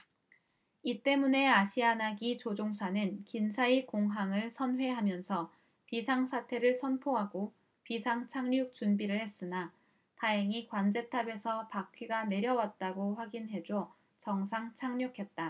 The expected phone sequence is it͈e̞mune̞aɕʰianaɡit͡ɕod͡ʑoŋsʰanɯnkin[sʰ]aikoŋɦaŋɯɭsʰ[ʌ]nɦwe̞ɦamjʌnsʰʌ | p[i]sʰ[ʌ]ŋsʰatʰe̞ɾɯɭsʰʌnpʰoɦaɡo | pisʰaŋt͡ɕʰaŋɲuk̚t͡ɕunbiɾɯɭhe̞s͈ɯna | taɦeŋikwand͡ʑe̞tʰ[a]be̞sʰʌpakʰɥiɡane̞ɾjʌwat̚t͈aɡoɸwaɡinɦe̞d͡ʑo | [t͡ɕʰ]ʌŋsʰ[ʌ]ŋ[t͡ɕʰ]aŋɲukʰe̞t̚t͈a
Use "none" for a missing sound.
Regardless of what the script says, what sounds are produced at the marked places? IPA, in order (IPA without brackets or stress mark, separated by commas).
sʰ, ʌ, i, a, a, t͡ɕ, a, t͡ɕʰ